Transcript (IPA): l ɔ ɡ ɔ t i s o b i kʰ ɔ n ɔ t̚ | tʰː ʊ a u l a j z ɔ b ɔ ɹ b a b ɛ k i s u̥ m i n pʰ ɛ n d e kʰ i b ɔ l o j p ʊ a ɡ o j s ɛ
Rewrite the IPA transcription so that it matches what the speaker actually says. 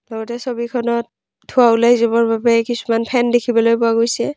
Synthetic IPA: l ɔ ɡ ɔ t ɛ s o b i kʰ ɔ n ɔ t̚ | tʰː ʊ a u l a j z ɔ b ɔ ɹ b a b ɛ k i s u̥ m a n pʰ ɛ n d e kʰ i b ɔ l o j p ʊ a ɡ o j s ɛ